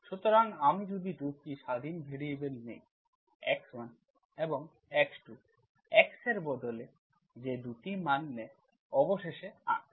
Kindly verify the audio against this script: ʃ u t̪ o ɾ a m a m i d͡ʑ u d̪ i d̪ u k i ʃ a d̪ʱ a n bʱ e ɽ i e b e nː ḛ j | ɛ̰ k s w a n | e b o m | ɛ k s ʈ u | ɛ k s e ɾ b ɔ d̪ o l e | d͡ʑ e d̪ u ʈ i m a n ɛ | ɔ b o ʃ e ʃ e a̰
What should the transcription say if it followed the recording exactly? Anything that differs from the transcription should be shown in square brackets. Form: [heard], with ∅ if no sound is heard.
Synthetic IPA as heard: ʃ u t̪ o ɾ a [ŋ] a m i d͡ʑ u d̪ i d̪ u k i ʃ a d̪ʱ [i] n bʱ e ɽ i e b e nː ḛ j | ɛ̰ k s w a n | e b o [ŋ] | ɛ k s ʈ u | ɛ k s e ɾ b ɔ d̪ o l e | d͡ʑ e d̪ u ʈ i m a [nː] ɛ | ɔ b o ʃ e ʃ e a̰

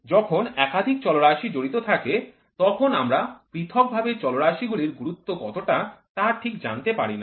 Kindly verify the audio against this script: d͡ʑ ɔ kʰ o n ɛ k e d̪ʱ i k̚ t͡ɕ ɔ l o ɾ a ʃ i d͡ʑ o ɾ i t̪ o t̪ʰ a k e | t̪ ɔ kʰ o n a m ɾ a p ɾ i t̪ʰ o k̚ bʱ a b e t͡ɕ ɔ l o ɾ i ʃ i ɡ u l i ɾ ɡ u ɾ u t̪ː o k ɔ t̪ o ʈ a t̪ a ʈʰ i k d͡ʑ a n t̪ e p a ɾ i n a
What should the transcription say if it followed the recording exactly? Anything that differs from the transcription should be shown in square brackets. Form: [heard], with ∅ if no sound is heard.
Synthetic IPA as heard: d͡ʑ ɔ kʰ o n ɛ k [a] d̪ʱ i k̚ t͡ɕ ɔ l o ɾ a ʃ i d͡ʑ o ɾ i t̪ o t̪ʰ a k e | t̪ ɔ kʰ o n a m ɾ a p ɾ i t̪ʰ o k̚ bʱ a b e t͡ɕ ɔ l o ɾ [a] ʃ i ɡ u l i ɾ ɡ u ɾ u t̪ː o k ɔ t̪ o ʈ a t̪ a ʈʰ i k d͡ʑ a n t̪ e p a ɾ i n a

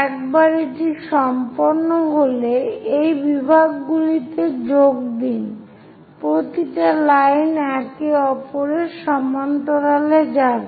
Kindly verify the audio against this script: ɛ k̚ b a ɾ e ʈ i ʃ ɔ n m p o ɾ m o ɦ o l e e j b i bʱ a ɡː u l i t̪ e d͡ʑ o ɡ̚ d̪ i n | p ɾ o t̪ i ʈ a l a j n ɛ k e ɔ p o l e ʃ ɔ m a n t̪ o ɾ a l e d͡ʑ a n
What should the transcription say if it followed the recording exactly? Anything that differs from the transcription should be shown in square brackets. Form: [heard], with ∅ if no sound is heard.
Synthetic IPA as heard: ɛ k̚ b a ɾ e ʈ i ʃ ɔ [∅] m p o ɾ [n] o ɦ o l e e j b i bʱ a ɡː u l i t̪ e d͡ʑ o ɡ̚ d̪ i n | p ɾ o t̪ i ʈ a l a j n ɛ k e ɔ p o [ɾ] e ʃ ɔ m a n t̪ o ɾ a l e d͡ʑ a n

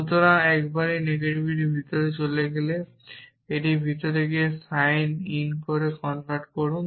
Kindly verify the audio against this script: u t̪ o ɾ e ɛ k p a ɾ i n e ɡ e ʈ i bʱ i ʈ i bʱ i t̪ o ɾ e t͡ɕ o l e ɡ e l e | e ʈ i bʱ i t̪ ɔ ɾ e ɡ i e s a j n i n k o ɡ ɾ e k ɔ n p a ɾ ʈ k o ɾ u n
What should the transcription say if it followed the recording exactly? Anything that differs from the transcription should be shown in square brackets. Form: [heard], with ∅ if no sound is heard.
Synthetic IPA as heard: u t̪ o ɾ [a] ɛ k [b] a ɾ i n e ɡ e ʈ i bʱ i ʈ i bʱ i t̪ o ɾ e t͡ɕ o l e ɡ e l e | e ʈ i bʱ i t̪ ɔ ɾ e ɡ i e s a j n i n k o [∅] ɾ e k ɔ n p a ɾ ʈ k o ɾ u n

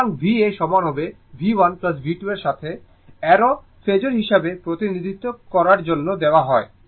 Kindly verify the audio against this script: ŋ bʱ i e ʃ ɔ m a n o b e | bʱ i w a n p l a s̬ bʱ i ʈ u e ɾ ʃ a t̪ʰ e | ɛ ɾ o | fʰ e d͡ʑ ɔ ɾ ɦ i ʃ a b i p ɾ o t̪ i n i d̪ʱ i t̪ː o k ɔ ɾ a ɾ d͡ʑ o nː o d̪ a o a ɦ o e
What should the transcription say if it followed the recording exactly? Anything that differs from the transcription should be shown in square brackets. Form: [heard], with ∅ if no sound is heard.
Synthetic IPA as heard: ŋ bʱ i e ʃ ɔ m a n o b e | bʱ i w a n p l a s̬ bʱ i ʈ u e ɾ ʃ a t̪ʰ e | ɛ ɾ o | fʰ e d͡ʑ [o] ɾ ɦ i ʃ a b [e] p ɾ o t̪ i n i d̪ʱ i t̪ː o k ɔ ɾ a ɾ d͡ʑ o nː o d̪ [e] o a ɦ [ɔ] e

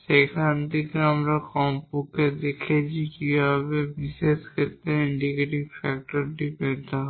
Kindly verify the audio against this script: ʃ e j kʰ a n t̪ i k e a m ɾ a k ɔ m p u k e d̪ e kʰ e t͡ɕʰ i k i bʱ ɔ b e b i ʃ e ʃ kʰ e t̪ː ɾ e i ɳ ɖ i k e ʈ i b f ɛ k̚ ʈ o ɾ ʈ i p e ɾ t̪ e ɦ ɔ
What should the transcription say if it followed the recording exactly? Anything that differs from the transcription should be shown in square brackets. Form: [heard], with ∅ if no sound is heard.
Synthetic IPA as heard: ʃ e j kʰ a n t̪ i k e a m ɾ a k ɔ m p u k e d̪ e kʰ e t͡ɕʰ i k i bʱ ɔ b e b i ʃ e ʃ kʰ e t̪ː ɾ e i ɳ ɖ i k e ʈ i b f ɛ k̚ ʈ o ɾ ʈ i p e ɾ t̪ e ɦ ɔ

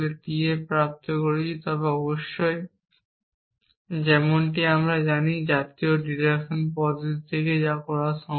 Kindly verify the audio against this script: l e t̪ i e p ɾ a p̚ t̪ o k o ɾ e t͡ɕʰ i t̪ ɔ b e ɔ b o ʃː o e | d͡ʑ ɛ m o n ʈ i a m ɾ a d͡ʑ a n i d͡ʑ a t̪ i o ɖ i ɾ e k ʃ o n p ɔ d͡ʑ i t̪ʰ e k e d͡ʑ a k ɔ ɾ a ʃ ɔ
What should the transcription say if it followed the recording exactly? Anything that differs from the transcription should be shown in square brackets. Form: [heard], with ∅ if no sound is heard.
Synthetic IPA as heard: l e t̪ i e p ɾ a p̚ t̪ o k o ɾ e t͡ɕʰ i t̪ ɔ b e ɔ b o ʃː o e | d͡ʑ ɛ m o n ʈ i a m ɾ a d͡ʑ a n i d͡ʑ a t̪ i o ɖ i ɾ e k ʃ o n p ɔ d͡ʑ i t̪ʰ e k e d͡ʑ a k ɔ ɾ a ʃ ɔ

